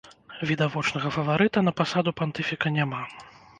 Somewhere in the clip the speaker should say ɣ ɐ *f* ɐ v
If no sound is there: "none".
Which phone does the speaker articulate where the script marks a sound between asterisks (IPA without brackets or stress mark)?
f